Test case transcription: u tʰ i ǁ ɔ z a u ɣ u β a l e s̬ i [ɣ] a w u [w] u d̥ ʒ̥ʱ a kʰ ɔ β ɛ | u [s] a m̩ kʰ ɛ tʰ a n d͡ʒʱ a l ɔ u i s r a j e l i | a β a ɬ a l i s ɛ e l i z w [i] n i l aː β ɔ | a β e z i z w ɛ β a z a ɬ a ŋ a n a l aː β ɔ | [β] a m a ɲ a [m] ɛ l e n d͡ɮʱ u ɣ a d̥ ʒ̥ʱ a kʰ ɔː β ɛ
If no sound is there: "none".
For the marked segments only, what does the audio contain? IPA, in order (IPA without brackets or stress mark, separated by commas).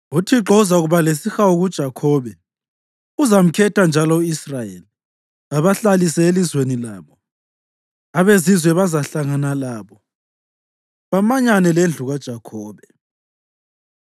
x, ɣ, z, e, β, n